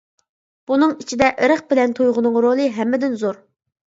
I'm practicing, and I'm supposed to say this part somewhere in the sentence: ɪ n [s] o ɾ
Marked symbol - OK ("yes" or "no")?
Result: no